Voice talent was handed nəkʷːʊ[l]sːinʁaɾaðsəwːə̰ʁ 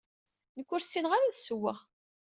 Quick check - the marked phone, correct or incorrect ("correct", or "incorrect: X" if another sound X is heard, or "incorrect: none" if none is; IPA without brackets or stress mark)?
incorrect: ɾ